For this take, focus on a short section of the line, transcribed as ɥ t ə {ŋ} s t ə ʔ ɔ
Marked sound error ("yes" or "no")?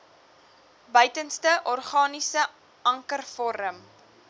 yes